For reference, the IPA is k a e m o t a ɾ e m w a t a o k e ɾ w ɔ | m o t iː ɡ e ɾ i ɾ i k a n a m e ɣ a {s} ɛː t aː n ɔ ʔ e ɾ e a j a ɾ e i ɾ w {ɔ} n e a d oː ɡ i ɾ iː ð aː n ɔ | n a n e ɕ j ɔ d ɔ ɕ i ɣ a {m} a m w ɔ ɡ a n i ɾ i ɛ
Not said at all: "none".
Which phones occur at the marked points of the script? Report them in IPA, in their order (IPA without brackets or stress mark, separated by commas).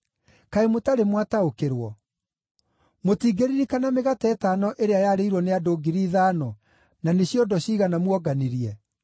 t, ɔ, n